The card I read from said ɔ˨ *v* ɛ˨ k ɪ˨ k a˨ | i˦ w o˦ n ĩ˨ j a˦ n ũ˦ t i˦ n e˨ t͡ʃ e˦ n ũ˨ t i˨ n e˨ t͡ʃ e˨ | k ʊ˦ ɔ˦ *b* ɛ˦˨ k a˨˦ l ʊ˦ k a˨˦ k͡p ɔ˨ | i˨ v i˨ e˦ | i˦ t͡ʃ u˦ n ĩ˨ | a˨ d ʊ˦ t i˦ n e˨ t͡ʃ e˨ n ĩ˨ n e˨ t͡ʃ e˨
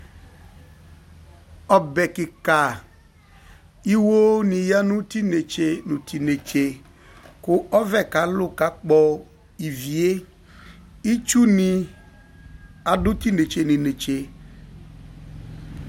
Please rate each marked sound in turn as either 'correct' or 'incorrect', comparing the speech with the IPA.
incorrect: b, incorrect: v

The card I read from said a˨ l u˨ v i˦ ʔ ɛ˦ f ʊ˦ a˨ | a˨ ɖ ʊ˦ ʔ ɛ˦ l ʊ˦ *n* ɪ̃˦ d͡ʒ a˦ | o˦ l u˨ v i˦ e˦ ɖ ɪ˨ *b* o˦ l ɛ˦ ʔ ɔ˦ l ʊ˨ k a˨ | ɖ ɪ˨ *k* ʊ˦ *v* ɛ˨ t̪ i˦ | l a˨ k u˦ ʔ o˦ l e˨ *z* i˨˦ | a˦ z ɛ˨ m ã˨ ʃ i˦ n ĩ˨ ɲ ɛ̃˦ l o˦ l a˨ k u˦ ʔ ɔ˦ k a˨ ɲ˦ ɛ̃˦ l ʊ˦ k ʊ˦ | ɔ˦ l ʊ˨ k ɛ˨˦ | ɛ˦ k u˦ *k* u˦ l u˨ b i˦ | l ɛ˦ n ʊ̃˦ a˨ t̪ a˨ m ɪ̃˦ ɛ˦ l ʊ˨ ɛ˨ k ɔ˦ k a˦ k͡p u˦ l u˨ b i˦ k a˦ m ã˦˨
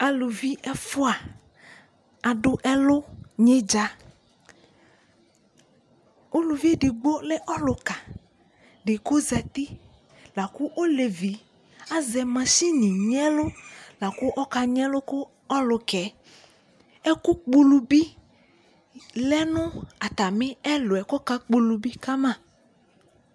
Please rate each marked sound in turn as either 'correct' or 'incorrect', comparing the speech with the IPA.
incorrect: ɲ, incorrect: ɡ͡b, correct, incorrect: z, incorrect: v, incorrect: k͡p

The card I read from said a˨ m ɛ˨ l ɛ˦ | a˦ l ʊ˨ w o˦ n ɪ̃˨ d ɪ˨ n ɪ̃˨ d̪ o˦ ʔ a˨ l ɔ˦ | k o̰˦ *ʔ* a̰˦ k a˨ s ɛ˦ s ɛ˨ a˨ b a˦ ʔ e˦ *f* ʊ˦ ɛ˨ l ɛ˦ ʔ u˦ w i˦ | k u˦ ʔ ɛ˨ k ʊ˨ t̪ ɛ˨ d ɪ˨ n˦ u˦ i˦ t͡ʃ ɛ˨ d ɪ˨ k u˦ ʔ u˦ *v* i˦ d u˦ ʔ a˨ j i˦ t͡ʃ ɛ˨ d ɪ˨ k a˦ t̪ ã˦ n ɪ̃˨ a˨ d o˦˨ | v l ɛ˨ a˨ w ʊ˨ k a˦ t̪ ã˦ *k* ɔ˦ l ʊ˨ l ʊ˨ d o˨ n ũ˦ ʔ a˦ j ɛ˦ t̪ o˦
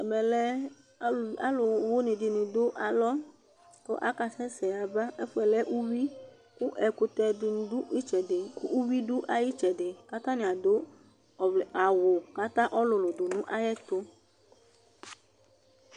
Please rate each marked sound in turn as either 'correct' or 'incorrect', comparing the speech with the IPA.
correct, correct, incorrect: w, incorrect: ʔ

